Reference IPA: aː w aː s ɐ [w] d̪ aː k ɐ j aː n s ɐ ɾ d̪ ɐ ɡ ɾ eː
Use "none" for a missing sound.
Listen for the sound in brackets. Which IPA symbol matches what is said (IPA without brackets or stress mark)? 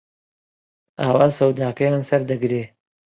w